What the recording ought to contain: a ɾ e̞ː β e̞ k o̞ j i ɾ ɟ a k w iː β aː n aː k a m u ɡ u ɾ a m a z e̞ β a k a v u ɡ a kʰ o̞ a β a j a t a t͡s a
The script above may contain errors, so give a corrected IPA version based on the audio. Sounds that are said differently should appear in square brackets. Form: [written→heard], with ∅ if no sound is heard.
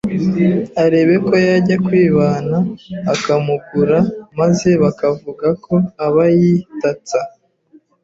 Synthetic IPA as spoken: a ɾ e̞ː β e̞ k o̞ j [i→a] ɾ ɟ a k w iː β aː n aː k a m u ɡ u ɾ a m a z e̞ β a k a v u ɡ a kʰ o̞ a β a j [a→i] t a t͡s a